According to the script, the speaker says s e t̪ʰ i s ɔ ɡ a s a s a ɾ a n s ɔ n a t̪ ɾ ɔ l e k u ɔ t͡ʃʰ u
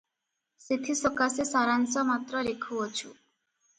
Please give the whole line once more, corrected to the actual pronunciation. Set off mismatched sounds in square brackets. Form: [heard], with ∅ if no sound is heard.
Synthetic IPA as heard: s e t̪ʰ i s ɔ [k] a s [e] s a ɾ a n s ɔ [m] a t̪ ɾ ɔ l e [kʰ] u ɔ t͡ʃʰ u

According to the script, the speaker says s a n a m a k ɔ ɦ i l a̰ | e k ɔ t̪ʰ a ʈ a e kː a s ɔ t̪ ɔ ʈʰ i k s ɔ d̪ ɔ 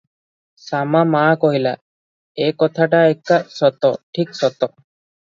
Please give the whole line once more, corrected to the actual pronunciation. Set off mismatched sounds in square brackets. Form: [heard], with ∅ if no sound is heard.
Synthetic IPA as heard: s a [m] a m a k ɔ ɦ i l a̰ | e k ɔ t̪ʰ a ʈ a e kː a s ɔ t̪ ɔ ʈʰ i k s ɔ [t̪] ɔ

